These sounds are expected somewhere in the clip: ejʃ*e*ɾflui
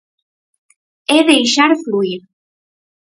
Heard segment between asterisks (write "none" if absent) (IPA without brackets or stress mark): a